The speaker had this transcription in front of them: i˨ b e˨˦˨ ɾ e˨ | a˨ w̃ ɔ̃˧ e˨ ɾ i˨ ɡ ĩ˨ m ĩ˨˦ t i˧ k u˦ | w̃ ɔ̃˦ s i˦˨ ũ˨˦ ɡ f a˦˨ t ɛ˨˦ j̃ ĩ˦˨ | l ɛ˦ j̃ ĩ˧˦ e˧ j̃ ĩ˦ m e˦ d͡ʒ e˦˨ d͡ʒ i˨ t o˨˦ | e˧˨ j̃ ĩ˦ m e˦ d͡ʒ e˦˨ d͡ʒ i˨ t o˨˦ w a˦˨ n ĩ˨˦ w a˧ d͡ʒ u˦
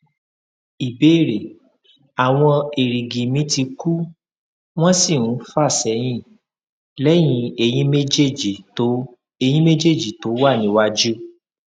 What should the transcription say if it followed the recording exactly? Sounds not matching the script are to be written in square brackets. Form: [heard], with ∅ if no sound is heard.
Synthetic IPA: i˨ b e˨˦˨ ɾ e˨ | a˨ w̃ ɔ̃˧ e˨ ɾ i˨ ɡ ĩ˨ m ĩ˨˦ t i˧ k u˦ | w̃ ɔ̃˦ s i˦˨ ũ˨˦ [∅] f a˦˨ [s] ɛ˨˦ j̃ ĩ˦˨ | l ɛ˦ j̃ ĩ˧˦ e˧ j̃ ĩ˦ m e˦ d͡ʒ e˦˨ d͡ʒ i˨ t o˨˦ | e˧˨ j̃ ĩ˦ m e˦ d͡ʒ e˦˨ d͡ʒ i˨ t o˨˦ w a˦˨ n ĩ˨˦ w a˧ d͡ʒ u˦

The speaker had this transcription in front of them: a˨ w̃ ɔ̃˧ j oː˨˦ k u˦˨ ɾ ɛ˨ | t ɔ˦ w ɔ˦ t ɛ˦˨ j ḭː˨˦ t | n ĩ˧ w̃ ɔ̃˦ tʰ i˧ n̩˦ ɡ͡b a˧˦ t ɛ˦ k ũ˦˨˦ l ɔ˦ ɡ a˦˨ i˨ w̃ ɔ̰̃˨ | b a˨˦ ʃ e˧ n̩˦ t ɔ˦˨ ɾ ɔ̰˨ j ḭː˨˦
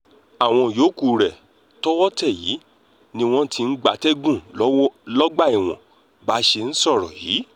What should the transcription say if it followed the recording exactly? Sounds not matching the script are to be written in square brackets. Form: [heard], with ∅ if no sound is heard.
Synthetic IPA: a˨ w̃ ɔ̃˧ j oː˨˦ k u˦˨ ɾ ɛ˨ | t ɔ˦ w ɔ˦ t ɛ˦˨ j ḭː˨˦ [∅] | n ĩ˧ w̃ ɔ̃˦ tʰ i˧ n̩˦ ɡ͡b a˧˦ t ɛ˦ [ɡ] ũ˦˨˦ l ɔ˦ [ɡ͡b] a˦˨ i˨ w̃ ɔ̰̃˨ | b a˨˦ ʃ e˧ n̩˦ [s] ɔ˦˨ ɾ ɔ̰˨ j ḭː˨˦

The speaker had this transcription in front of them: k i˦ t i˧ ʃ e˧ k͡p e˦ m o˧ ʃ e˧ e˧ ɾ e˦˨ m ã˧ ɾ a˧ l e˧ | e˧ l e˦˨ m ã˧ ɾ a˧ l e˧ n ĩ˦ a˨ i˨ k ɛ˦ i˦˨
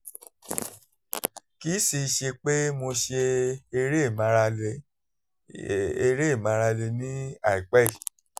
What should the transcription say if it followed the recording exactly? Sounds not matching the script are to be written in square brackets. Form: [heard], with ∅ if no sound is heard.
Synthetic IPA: k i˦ [s] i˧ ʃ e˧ k͡p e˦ m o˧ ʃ e˧ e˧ ɾ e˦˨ m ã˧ ɾ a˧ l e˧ | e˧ [ɾ] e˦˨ m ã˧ ɾ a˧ l e˧ n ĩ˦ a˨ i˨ [k͡p] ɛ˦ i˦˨

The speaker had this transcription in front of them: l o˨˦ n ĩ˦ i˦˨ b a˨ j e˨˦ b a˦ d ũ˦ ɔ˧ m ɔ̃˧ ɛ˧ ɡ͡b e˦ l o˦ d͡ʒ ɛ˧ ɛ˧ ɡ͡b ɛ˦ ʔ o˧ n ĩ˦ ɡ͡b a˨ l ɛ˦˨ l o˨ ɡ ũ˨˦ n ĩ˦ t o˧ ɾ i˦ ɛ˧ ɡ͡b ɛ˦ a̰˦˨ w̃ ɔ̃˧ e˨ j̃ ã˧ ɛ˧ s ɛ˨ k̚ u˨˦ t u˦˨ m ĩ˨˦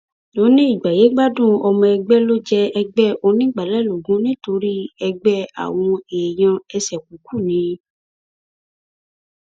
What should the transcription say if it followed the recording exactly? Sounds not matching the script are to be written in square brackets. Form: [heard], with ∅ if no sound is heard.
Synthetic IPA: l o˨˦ n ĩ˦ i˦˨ [ɡ͡b] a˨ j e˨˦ [ɡ͡b] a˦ d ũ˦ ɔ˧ m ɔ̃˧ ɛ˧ ɡ͡b [ɛ˦] l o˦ d͡ʒ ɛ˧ ɛ˧ ɡ͡b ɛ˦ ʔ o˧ n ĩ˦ ɡ͡b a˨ l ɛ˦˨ l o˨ ɡ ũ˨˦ n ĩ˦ t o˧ ɾ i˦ ɛ˧ ɡ͡b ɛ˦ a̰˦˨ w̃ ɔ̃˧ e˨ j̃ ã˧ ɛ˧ s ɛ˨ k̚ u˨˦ [k] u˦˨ [n] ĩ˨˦

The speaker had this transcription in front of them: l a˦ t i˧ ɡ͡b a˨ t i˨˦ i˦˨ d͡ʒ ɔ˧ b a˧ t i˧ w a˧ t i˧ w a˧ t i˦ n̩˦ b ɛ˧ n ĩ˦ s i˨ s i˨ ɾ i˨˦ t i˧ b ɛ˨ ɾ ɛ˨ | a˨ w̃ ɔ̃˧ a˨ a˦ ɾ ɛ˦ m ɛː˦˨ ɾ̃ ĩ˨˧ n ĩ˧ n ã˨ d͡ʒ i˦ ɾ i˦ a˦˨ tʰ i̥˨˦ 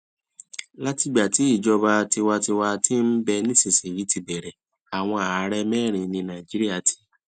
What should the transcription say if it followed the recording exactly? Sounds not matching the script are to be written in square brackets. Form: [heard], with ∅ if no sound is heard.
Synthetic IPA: l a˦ t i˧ ɡ͡b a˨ t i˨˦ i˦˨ d͡ʒ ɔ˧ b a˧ t i˧ w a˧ t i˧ w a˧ t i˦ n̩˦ b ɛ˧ n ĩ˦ s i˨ s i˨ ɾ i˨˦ t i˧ b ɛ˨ ɾ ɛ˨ | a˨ w̃ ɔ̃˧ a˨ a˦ ɾ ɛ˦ m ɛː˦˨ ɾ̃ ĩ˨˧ n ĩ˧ n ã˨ d͡ʒ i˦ ɾ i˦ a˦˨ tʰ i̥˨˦

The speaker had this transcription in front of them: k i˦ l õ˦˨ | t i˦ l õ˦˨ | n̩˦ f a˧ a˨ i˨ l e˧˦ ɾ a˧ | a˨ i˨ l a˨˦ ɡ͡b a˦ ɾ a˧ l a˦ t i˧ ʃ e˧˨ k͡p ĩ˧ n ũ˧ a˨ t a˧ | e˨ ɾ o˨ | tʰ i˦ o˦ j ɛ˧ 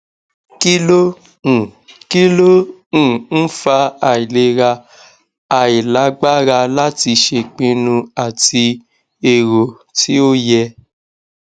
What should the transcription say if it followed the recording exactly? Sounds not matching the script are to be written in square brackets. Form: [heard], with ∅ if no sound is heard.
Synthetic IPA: k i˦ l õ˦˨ | [k] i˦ l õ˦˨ | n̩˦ f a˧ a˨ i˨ l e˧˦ ɾ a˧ | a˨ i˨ l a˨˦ ɡ͡b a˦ ɾ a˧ l a˦ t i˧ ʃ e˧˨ k͡p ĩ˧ n ũ˧ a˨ t [i˧] | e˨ ɾ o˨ | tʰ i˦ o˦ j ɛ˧

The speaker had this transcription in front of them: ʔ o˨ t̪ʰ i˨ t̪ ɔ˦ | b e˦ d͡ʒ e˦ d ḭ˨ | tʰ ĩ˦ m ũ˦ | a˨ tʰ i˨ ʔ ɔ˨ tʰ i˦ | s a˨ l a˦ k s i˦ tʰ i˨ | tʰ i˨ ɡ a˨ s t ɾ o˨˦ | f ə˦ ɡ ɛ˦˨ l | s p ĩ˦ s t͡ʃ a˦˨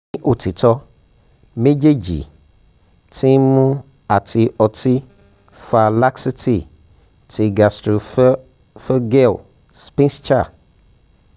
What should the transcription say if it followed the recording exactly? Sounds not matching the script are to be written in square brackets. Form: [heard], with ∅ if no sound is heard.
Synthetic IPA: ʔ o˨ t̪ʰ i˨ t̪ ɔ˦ | [m] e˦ d͡ʒ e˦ [d͡ʒ] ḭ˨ | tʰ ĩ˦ m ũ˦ | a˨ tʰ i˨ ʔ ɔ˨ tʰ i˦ | [f] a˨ l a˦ k s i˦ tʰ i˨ | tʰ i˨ ɡ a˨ s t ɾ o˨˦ | f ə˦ ɡ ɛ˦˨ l | s p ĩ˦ s t͡ʃ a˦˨

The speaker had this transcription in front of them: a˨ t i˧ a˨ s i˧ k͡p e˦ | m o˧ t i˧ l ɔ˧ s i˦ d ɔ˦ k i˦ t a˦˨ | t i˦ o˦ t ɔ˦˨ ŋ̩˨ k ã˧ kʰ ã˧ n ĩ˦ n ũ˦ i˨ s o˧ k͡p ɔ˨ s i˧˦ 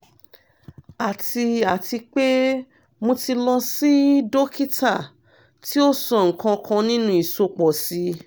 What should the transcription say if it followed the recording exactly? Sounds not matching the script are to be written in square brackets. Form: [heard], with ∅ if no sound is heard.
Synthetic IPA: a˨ t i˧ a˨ [t] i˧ k͡p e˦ | m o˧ t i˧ l ɔ˧ s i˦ d [o˦] k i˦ t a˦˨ | t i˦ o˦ [s] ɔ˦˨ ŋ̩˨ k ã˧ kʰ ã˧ n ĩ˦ n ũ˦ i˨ s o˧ k͡p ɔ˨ s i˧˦

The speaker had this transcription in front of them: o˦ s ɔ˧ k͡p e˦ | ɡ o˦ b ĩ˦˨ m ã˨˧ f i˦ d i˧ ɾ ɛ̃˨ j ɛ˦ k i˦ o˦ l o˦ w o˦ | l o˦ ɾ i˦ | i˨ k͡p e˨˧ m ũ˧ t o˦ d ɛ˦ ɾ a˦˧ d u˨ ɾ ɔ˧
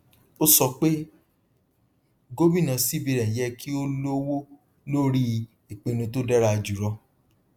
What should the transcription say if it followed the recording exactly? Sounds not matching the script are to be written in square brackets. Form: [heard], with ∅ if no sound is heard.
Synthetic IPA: o˦ s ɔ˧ k͡p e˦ | ɡ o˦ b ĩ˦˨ [n] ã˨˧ [s] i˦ [b] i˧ ɾ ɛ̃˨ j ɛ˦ k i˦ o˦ l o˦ w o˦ | l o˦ ɾ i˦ | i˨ k͡p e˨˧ [n] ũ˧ t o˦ d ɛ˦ ɾ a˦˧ [d͡ʒ] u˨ ɾ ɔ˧

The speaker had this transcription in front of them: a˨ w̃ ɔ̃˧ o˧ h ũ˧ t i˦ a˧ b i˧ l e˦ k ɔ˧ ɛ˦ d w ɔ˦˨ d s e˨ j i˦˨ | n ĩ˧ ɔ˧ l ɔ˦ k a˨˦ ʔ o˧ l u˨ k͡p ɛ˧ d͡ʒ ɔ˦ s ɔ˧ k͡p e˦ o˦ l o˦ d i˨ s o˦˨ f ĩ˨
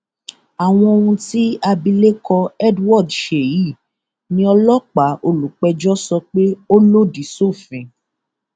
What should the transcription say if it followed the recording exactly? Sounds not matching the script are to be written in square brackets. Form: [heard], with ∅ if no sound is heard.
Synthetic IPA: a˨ w̃ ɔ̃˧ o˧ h ũ˧ t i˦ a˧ b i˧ l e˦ k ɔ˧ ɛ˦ d w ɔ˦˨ d [ʃ] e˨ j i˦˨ | n ĩ˧ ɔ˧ l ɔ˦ [k͡p] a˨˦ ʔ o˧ l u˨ k͡p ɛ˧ d͡ʒ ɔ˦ s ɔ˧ k͡p e˦ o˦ l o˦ d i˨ s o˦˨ f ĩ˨

